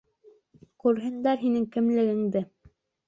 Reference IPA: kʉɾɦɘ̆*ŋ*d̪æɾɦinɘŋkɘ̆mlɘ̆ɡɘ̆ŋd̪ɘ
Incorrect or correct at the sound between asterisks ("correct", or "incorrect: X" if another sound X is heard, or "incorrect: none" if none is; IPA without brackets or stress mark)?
incorrect: n